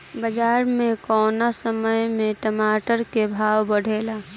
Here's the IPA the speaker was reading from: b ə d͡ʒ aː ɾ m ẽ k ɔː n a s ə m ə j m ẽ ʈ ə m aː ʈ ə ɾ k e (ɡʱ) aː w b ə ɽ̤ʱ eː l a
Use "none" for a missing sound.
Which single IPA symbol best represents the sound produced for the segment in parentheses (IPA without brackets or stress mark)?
bʱ